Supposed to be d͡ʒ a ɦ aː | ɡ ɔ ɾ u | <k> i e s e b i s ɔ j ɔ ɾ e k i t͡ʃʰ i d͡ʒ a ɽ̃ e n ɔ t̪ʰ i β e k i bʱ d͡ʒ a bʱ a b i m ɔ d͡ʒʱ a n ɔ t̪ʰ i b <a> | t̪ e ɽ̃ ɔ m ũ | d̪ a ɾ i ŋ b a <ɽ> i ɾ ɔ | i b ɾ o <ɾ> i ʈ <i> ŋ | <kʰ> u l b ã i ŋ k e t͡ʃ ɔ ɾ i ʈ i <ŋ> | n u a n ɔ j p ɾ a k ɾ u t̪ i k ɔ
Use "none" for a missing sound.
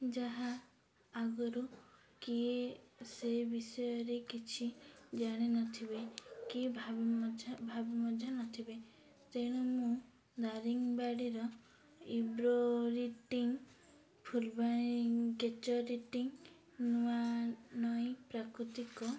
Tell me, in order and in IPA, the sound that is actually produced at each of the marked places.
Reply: k, e, ɽ, ɾ, i, pʰ, ŋ

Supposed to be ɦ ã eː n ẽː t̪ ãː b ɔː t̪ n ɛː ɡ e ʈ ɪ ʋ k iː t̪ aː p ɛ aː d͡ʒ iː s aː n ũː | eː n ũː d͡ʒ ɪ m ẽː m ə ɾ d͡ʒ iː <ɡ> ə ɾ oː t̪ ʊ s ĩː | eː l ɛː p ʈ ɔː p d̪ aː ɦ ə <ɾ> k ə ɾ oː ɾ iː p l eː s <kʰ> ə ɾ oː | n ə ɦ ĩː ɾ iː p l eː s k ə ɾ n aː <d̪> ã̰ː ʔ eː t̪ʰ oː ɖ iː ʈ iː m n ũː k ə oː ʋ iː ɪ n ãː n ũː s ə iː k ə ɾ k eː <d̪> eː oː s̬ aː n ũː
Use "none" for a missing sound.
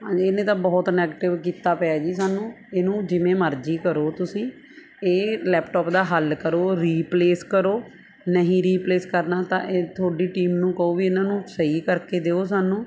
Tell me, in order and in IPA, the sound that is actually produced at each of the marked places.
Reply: k, l, k, t̪, d̪

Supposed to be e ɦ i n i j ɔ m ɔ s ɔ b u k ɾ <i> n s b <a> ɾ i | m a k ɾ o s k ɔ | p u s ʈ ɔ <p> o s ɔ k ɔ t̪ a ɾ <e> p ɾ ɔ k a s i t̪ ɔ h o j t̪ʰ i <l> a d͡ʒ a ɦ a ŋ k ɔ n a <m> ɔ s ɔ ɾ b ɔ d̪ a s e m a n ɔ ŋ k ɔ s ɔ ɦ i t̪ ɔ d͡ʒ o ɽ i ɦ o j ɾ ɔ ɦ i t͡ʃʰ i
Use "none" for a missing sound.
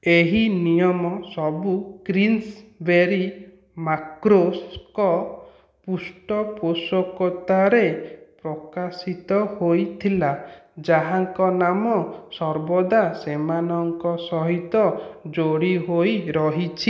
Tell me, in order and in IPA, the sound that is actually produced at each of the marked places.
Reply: i, e, p, e, l, m

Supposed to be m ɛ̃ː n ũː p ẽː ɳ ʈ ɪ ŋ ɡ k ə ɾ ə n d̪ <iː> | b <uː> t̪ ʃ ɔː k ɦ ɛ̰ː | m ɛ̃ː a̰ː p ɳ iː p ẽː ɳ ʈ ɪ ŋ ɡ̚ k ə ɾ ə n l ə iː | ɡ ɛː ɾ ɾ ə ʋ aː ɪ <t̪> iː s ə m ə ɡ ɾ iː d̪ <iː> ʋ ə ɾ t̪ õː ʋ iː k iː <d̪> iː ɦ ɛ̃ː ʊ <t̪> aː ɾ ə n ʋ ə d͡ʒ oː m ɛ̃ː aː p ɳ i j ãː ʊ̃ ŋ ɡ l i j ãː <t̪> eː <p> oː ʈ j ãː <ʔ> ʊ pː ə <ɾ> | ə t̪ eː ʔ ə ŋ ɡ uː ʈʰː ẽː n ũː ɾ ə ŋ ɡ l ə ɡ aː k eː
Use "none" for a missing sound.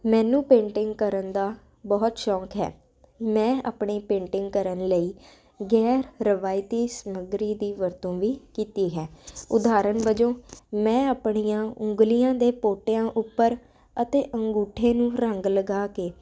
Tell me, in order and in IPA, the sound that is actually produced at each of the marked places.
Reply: aː, ɔː, t̪, iː, t̪, d̪, d̪, p, ʔ, ɾ

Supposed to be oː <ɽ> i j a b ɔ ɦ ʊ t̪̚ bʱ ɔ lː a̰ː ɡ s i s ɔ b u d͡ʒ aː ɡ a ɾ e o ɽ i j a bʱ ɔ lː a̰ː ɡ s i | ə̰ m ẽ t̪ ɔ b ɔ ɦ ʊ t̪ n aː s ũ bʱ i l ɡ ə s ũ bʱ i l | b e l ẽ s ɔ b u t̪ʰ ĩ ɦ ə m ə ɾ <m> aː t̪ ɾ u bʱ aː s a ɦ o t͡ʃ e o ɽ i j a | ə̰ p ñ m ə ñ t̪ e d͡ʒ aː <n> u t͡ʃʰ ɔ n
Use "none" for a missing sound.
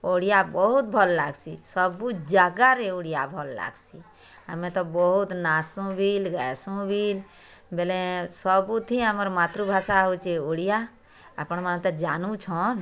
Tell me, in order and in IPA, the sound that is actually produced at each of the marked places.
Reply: ɽ, m, n

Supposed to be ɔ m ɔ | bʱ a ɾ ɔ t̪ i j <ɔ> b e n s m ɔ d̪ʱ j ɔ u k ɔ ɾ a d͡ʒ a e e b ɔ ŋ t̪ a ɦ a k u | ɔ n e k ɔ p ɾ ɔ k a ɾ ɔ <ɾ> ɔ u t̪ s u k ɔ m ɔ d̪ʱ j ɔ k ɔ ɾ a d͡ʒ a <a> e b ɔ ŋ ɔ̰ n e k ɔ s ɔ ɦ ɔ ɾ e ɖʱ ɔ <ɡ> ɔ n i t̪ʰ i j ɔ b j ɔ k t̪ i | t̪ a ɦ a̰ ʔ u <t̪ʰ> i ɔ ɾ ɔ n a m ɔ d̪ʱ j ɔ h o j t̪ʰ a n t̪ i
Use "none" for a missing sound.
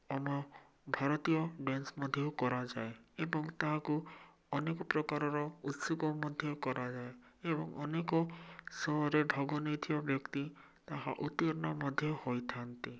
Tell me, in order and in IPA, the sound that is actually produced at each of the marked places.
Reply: ɔ, ɾ, e, ɡ, t̪

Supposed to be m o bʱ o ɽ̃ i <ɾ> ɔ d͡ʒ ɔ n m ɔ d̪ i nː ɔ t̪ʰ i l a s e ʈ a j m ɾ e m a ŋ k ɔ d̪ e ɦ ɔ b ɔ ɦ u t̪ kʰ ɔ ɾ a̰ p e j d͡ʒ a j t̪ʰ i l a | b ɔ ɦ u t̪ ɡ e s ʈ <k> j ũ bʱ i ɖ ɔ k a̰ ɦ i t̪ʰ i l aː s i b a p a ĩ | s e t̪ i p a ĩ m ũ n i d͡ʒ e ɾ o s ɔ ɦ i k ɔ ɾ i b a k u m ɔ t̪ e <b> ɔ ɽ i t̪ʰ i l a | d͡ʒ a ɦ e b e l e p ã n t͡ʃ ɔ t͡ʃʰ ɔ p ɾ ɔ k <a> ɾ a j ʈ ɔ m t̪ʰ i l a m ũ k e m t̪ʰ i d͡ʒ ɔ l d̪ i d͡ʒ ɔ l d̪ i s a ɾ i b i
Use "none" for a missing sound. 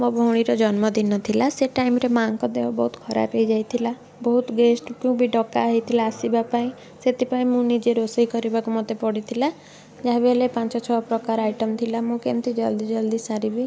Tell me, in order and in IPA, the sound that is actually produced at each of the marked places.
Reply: ɾ, k, p, a

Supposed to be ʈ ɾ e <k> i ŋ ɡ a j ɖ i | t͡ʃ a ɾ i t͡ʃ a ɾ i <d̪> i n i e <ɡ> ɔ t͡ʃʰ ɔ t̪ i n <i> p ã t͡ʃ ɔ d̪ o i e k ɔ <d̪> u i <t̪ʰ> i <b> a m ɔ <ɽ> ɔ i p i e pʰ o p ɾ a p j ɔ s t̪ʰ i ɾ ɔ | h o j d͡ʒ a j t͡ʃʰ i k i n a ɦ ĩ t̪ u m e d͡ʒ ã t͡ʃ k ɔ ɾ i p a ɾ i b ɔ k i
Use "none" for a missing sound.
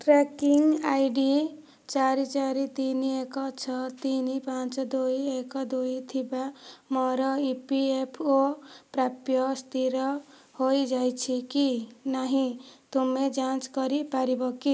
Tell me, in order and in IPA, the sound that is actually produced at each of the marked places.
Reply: k, t̪, k, i, d̪, t̪ʰ, b, ɾ

